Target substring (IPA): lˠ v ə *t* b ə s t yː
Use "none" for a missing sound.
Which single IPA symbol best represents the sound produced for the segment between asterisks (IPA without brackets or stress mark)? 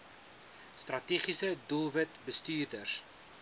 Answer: t